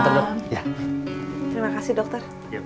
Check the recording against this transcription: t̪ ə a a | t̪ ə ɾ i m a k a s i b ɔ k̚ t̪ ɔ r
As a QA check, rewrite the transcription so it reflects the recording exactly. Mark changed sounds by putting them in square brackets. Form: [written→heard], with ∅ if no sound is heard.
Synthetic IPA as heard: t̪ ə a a | t̪ ə ɾ i m a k a s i [b→d] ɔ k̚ t̪ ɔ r